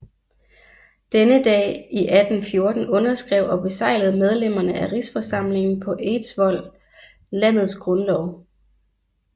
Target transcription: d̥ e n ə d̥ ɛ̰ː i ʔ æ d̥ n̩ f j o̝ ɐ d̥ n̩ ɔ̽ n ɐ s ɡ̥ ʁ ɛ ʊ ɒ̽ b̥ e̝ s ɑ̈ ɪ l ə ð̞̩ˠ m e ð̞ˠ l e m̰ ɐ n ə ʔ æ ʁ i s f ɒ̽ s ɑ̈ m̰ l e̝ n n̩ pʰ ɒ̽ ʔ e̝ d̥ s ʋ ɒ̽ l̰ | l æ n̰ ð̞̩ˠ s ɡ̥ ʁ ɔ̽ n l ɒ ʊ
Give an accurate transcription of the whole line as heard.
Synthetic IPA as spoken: d̥ e n ə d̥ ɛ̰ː i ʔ æ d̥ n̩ f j o̝ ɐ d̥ n̩ ɔ̽ n ɐ s ɡ̥ ʁ ɛ ʊ ɒ̽ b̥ e̝ s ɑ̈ ɪ l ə ð̞̩ˠ m e ð̞ˠ l e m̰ ɐ n ə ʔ æ ʁ i s f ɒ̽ s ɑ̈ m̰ l e̝ ŋ n̩ pʰ ɒ̽ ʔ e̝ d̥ s ʋ ɒ̽ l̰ | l æ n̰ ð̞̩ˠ s ɡ̥ ʁ ɔ̽ n l ɒ ʊ